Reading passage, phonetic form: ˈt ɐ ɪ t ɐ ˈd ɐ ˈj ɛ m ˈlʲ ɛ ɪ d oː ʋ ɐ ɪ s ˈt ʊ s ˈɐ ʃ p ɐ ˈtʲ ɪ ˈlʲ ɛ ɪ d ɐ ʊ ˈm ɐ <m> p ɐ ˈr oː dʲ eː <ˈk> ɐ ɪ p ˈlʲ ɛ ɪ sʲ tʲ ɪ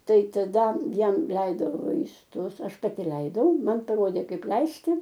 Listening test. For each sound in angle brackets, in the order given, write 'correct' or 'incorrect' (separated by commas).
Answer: incorrect, correct